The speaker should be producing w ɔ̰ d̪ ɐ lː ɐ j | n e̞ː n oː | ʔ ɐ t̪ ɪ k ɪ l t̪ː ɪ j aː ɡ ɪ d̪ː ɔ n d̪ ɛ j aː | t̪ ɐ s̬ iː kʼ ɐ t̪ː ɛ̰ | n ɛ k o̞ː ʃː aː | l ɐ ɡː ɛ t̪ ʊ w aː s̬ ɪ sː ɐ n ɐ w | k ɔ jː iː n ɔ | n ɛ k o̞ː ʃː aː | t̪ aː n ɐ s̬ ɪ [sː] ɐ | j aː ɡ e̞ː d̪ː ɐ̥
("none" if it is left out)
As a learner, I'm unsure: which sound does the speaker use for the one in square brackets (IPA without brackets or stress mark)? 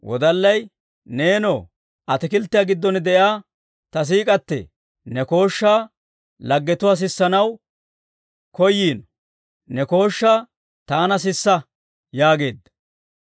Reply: sː